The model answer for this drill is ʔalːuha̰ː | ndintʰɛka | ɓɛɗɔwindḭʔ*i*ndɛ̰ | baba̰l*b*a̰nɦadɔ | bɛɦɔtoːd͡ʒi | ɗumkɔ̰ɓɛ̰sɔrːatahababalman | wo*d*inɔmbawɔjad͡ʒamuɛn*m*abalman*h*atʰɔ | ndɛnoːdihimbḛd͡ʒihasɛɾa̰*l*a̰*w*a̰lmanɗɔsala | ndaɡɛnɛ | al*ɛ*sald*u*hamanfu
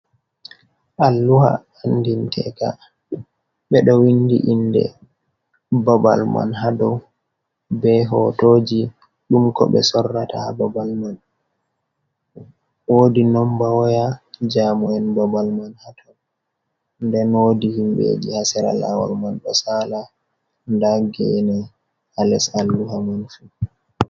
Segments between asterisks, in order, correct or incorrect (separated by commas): correct, incorrect, correct, incorrect, correct, correct, correct, correct, correct